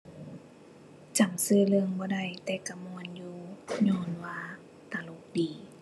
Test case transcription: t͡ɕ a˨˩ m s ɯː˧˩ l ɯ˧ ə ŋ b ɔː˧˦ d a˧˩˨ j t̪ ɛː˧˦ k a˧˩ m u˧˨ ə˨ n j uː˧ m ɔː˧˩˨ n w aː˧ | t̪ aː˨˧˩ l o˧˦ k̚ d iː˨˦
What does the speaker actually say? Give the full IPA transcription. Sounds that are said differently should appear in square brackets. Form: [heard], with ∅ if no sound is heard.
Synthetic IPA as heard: t͡ɕ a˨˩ m s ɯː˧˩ l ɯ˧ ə ŋ b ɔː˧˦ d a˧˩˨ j t̪ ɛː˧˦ k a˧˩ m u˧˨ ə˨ n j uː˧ [ɲ] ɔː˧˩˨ n w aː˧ | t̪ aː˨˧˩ l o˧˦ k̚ d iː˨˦